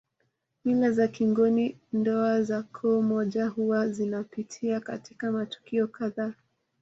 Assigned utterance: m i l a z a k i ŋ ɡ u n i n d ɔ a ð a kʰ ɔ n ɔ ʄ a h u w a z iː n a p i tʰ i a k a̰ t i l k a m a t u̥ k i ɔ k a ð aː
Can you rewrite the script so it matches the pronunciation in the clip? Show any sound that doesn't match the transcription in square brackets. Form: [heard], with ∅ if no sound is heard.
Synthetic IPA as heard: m i l a z a k i ŋ ɡ [ɔ] n i n d ɔ a [z] a kʰ ɔ [m] ɔ ʄ a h u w a z [i] n a p i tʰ i a k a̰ t i [∅] k a m a t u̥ k i ɔ k a ð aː